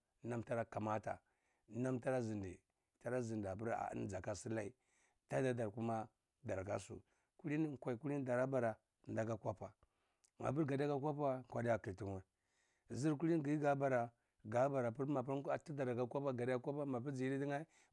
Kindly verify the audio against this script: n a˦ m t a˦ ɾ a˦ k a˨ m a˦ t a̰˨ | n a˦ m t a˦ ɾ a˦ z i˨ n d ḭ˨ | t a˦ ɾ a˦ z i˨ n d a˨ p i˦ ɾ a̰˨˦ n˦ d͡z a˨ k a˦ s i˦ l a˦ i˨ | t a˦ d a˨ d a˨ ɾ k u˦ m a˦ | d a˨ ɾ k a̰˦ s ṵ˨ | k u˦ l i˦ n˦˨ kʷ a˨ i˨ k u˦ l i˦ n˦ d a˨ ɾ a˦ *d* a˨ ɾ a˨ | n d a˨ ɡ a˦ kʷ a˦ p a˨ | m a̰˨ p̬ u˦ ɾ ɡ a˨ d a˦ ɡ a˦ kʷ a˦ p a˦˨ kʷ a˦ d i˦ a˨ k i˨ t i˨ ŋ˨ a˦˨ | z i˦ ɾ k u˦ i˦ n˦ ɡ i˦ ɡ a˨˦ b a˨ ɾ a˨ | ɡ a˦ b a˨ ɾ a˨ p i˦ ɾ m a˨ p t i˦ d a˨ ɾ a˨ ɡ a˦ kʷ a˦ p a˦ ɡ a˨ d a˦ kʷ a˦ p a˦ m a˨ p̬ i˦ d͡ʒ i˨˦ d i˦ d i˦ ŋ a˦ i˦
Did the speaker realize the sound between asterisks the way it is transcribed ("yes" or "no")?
no